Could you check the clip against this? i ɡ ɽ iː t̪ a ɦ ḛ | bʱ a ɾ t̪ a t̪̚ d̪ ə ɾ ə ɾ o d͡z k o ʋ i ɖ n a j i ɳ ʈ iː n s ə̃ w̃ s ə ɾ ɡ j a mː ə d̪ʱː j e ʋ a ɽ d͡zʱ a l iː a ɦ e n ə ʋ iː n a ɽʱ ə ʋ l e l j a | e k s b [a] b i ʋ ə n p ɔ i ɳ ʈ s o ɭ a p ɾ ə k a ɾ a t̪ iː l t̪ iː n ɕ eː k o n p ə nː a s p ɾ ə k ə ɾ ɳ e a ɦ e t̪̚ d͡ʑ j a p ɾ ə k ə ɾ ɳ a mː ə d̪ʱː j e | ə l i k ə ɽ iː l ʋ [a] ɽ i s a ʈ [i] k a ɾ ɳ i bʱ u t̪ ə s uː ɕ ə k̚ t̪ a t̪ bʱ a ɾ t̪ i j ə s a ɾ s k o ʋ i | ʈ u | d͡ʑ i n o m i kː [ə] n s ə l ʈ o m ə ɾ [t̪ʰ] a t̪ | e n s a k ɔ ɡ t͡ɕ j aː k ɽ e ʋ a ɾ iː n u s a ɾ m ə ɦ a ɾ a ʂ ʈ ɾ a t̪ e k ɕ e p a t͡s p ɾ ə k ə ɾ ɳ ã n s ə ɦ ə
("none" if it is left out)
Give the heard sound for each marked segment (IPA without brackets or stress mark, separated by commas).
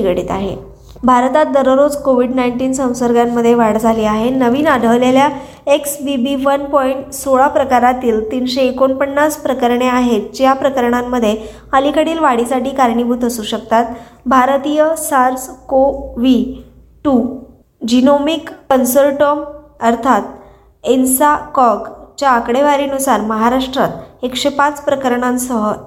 i, a, iː, ə, t̪ʰ